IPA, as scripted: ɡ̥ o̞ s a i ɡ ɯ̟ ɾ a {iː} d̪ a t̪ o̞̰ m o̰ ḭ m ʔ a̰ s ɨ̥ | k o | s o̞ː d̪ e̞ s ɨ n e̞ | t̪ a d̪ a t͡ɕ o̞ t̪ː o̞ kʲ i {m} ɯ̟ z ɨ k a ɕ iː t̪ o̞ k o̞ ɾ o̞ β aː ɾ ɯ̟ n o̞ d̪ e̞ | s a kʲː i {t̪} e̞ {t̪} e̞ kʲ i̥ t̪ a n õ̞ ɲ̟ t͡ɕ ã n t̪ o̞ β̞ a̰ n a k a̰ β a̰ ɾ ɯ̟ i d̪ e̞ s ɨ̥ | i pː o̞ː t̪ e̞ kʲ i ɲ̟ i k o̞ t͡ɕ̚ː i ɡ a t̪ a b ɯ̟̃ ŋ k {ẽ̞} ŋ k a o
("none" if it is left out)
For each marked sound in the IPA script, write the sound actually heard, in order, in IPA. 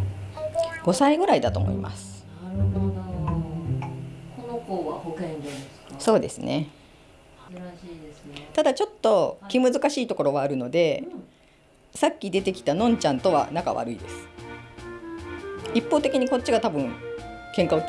i, m, d̪, t̪, ẽ̞

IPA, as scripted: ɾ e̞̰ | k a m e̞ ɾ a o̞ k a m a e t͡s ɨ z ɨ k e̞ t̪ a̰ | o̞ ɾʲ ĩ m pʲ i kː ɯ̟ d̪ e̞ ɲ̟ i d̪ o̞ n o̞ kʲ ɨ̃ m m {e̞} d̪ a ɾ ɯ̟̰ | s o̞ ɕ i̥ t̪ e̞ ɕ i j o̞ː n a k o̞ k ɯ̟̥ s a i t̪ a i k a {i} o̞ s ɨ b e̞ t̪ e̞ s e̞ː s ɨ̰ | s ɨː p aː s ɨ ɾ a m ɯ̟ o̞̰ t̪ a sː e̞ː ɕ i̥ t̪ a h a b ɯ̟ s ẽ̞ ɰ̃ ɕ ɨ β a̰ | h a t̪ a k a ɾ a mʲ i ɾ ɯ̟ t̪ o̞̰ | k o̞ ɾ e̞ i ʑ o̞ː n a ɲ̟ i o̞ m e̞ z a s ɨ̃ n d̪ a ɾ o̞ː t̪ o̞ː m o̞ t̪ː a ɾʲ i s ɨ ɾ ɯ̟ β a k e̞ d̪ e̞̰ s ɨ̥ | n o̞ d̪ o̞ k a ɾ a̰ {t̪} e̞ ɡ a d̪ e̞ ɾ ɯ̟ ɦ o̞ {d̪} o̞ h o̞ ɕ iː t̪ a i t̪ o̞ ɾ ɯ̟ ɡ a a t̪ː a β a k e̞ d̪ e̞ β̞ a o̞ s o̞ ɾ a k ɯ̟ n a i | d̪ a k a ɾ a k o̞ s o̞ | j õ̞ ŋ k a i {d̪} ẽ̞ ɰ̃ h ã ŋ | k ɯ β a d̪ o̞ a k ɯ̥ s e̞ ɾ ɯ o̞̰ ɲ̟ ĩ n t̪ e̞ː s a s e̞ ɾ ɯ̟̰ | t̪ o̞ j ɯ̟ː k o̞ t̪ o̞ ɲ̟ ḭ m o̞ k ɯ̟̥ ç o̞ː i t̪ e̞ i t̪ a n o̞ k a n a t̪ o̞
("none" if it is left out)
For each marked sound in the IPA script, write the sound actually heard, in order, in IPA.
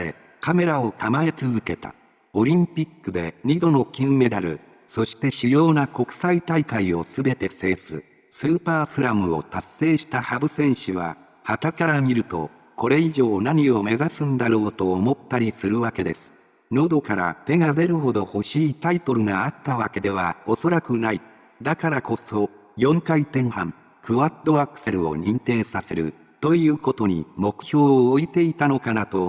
e̞, i, t̪, d̪, t̪

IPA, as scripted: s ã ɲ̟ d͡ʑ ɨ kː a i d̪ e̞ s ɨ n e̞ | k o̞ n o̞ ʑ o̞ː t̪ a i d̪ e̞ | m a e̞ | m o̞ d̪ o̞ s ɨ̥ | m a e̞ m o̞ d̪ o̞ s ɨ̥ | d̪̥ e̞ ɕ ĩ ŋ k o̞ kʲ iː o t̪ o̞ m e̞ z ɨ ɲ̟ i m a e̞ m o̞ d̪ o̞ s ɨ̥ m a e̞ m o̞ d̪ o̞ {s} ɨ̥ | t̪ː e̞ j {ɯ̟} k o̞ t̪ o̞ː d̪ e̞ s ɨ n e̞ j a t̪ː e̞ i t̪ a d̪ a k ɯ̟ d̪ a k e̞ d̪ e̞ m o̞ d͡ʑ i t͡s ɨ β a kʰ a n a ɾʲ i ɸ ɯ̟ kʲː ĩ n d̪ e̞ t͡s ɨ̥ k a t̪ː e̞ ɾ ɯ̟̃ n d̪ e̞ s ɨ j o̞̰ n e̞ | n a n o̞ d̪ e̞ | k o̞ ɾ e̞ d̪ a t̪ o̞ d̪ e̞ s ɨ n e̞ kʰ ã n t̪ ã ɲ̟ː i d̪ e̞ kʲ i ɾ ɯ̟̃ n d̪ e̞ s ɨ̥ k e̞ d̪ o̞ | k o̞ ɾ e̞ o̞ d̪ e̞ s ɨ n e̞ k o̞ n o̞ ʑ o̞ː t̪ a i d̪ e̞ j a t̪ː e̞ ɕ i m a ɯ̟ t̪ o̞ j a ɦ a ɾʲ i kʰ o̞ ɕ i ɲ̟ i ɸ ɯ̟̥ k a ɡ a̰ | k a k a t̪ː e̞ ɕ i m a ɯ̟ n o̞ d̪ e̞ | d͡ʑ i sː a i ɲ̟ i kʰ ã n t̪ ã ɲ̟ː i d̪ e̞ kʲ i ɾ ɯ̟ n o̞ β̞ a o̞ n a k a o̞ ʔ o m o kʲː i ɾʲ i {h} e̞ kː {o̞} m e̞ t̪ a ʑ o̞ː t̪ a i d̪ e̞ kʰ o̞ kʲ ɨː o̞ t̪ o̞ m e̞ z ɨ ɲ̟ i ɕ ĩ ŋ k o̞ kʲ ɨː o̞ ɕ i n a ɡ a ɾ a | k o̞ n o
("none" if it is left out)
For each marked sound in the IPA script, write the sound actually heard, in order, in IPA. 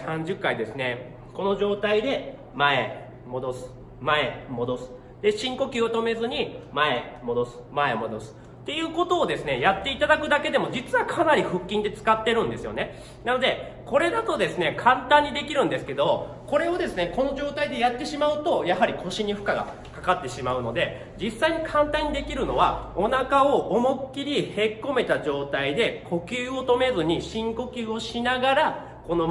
s, ɯ̟ː, h, o̞

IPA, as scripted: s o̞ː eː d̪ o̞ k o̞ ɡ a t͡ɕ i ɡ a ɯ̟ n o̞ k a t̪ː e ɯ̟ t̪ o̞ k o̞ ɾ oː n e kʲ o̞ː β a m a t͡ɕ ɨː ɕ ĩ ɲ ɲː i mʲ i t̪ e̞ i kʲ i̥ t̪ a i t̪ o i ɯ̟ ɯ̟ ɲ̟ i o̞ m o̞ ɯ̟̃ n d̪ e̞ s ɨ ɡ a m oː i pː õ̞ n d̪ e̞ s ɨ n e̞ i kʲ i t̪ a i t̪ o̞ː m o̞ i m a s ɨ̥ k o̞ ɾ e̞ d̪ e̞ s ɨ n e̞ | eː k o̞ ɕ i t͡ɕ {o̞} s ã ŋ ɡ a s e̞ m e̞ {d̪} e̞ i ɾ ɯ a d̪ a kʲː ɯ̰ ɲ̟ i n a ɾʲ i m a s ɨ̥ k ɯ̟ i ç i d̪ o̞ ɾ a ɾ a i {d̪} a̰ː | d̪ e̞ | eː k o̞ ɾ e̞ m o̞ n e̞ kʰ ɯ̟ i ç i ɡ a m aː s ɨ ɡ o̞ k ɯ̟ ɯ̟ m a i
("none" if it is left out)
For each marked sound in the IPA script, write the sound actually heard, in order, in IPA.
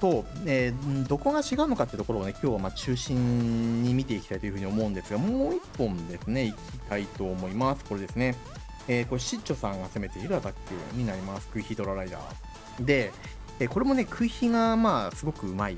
o̞, t̪, d̪

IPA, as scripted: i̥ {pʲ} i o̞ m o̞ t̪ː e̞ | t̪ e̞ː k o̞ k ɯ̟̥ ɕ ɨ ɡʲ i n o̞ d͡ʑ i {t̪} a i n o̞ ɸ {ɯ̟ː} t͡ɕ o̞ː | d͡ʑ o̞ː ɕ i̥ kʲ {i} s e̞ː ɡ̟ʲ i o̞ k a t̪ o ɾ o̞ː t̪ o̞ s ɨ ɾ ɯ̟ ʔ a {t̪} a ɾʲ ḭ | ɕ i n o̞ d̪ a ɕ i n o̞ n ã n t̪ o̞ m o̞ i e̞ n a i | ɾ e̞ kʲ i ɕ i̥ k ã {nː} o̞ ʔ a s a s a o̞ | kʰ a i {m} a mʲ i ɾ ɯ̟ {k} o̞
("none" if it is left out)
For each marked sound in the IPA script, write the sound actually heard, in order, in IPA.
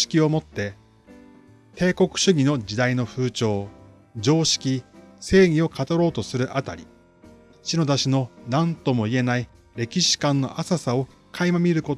kʲ, d̪, ɯ̟ː, i, t̪, nː, m, k

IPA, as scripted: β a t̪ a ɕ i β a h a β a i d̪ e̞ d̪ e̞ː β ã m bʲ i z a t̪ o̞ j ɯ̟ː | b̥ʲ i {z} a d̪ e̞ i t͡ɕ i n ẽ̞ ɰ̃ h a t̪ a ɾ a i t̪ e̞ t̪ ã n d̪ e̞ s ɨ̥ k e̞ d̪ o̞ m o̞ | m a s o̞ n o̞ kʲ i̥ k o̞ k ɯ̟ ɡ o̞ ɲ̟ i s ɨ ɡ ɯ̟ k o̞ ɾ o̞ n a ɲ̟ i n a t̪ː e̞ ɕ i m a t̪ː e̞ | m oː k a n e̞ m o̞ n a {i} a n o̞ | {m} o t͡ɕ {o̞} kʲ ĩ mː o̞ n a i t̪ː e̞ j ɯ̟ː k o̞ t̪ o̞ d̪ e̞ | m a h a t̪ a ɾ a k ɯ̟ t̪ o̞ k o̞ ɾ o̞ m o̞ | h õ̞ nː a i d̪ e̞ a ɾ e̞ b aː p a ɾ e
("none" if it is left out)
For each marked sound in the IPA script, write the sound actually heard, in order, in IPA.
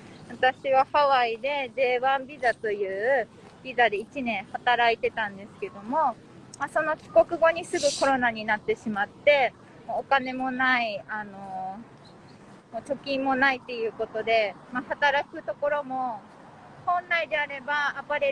z, i, m, o̞

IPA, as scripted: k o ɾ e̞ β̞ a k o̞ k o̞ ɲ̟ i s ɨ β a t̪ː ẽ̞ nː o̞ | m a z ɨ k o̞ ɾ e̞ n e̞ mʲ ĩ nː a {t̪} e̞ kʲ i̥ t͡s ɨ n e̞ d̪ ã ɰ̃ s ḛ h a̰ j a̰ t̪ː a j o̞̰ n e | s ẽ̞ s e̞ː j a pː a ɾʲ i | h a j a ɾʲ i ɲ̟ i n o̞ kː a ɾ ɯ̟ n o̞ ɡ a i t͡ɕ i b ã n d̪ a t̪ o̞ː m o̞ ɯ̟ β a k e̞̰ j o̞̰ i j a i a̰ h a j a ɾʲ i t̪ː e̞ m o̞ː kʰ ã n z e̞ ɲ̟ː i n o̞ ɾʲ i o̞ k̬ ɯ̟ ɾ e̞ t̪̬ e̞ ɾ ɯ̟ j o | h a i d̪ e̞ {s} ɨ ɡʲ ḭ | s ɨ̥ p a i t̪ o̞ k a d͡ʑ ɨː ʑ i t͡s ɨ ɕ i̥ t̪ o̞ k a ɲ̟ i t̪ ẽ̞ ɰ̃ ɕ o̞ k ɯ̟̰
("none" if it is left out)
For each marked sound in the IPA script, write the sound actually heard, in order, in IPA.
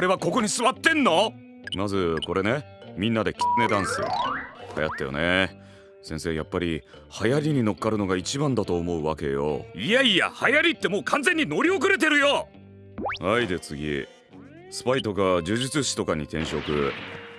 d̪, t͡s

